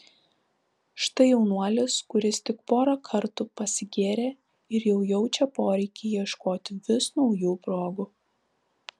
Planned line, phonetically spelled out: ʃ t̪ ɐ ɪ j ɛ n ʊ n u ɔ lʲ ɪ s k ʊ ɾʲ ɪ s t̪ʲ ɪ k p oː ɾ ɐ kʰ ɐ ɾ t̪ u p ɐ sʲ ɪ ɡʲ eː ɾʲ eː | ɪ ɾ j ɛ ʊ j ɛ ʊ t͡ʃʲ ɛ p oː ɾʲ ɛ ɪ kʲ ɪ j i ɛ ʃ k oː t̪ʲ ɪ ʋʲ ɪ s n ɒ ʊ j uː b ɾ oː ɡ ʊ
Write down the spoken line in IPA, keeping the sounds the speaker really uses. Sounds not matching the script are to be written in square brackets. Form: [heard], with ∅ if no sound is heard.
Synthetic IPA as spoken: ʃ t̪ ɐ ɪ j ɛ [∅] ʊ n u ɔ lʲ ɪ s k ʊ ɾʲ ɪ s t̪ʲ ɪ k p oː ɾ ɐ kʰ ɐ ɾ t̪ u p ɐ sʲ ɪ ɡʲ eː ɾʲ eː | ɪ ɾ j ɛ ʊ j ɛ ʊ t͡ʃʲ ɛ p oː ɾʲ ɛ ɪ kʲ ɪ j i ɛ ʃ k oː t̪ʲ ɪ ʋʲ ɪ s n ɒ ʊ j uː [p] ɾ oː ɡ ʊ

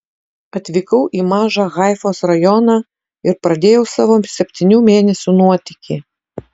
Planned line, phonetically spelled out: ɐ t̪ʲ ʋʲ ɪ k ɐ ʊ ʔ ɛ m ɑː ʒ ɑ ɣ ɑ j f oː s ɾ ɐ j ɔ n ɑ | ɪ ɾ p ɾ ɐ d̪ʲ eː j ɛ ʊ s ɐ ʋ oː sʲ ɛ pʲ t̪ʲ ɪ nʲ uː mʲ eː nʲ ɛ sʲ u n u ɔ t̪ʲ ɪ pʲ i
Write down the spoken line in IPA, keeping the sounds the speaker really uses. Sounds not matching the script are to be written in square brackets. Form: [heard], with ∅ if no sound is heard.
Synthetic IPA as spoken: ɐ t̪ʲ ʋʲ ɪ k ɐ ʊ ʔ [i] m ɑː ʒ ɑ ɣ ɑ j f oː s ɾ ɐ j ɔ n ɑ | ɪ ɾ p ɾ ɐ d̪ʲ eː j ɛ ʊ s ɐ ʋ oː sʲ ɛ pʲ t̪ʲ ɪ nʲ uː mʲ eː nʲ ɛ sʲ u n u ɔ t̪ʲ ɪ [kʲ] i

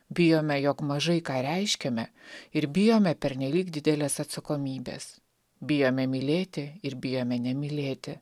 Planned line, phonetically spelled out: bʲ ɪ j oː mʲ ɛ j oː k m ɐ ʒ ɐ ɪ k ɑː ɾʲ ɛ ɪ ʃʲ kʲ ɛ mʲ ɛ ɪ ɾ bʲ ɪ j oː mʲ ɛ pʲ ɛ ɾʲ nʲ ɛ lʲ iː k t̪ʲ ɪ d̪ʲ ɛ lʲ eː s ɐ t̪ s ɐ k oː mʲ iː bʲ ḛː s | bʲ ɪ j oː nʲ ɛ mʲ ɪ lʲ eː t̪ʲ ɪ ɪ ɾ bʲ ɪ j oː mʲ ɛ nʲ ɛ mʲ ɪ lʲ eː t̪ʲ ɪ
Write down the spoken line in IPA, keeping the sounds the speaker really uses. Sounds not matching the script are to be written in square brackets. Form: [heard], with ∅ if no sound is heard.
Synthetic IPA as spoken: bʲ ɪ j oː mʲ ɛ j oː k m ɐ ʒ ɐ ɪ k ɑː ɾʲ ɛ ɪ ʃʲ kʲ ɛ mʲ ɛ ɪ ɾ bʲ ɪ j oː mʲ ɛ pʲ ɛ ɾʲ nʲ ɛ lʲ iː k [d̪ʲ] ɪ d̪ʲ ɛ lʲ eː s ɐ t̪ s ɐ k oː mʲ iː bʲ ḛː s | bʲ ɪ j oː [mʲ] ɛ mʲ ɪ lʲ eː t̪ʲ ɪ ɪ ɾ bʲ ɪ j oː mʲ ɛ nʲ ɛ mʲ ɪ lʲ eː t̪ʲ ɪ

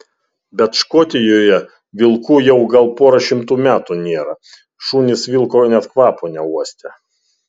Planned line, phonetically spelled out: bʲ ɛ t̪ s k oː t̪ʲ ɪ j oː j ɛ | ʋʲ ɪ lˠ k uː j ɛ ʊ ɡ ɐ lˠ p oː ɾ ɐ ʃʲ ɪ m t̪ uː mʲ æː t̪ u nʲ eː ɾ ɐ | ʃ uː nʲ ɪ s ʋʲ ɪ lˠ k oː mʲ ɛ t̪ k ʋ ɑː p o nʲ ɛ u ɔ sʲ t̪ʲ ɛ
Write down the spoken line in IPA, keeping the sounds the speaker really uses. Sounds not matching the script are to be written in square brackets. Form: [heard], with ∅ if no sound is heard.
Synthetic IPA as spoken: bʲ ɛ t̪ [ʃ] k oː t̪ʲ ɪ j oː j ɛ | ʋʲ ɪ lˠ k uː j ɛ ʊ ɡ ɐ lˠ p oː ɾ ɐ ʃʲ ɪ m t̪ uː mʲ æː t̪ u nʲ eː ɾ ɐ | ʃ uː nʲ ɪ s ʋʲ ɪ lˠ k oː [nʲ] ɛ t̪ k ʋ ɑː p o nʲ ɛ u ɔ sʲ t̪ʲ ɛ

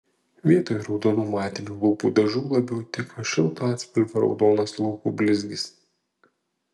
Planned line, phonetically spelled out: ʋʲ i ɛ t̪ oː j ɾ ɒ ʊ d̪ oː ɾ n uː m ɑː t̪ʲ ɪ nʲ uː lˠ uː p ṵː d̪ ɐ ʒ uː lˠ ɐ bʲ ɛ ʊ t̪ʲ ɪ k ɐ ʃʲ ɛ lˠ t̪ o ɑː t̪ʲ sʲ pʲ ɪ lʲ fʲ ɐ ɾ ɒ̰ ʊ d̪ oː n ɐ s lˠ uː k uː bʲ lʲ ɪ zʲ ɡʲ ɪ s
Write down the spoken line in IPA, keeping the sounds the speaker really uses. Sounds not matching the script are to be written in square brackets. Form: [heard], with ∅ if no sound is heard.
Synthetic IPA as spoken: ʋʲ i ɛ t̪ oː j ɾ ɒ ʊ d̪ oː [∅] n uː m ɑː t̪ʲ ɪ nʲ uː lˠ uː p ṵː d̪ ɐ ʒ uː lˠ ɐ bʲ ɛ ʊ t̪ʲ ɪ k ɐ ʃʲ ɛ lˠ t̪ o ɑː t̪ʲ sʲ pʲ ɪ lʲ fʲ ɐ ɾ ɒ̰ ʊ d̪ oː n ɐ s lˠ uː k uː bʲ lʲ ɪ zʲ ɡʲ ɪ s

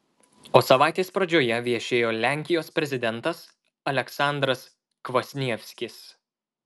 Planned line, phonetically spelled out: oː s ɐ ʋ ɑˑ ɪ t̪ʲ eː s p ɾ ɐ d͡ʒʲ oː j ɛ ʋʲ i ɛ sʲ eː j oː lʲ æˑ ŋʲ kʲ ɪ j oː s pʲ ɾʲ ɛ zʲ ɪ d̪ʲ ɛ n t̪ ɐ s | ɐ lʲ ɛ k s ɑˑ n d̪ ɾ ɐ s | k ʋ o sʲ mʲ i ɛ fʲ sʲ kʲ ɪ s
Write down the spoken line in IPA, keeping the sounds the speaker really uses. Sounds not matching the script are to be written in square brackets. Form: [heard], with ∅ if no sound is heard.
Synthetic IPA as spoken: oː s ɐ ʋ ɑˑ ɪ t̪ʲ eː s p ɾ ɐ d͡ʒʲ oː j ɛ ʋʲ i ɛ [ʃʲ] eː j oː lʲ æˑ ŋʲ kʲ ɪ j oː s pʲ ɾʲ ɛ zʲ ɪ d̪ʲ ɛ n t̪ ɐ s | ɐ lʲ ɛ k s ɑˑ n d̪ ɾ ɐ s | k ʋ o sʲ [nʲ] i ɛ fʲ sʲ kʲ ɪ s

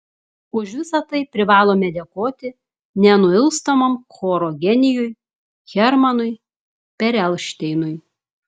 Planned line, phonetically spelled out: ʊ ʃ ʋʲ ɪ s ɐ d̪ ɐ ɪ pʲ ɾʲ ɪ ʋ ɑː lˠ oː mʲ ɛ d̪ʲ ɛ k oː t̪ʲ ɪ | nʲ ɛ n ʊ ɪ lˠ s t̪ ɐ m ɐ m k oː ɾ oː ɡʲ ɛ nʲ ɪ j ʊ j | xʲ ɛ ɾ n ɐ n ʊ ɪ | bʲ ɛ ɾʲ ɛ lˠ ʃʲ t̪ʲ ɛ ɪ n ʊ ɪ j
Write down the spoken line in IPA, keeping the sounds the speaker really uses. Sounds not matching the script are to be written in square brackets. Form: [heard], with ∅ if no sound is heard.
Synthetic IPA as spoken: ʊ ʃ ʋʲ ɪ s ɐ [t̪] ɐ ɪ pʲ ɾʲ ɪ ʋ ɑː lˠ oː mʲ ɛ d̪ʲ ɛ k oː t̪ʲ ɪ | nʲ ɛ n ʊ ɪ lˠ s t̪ ɐ m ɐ m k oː ɾ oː ɡʲ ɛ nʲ ɪ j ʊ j | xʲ ɛ ɾ [m] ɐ n ʊ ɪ | [pʲ] ɛ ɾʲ ɛ lˠ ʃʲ t̪ʲ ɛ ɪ n ʊ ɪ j

